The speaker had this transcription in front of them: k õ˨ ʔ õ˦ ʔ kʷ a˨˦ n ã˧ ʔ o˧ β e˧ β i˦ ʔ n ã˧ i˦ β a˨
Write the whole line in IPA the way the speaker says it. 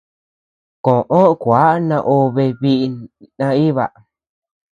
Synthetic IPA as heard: k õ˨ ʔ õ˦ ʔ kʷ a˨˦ n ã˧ ʔ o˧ β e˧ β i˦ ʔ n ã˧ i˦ β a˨